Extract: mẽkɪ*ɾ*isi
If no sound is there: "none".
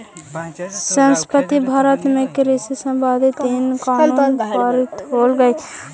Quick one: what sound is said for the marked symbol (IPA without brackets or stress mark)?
ɾ